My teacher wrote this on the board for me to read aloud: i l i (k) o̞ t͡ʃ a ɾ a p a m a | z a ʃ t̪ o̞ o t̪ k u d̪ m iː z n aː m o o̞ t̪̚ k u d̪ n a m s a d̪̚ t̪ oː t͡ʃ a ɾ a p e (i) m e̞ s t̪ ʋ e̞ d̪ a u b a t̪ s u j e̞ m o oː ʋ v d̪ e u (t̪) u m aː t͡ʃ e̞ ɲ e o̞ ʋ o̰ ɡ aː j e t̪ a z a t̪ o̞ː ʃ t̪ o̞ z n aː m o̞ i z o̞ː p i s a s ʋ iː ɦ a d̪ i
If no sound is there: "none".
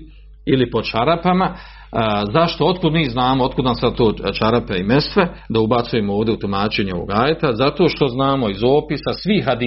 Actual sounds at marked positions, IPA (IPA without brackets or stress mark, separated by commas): p, i, t̪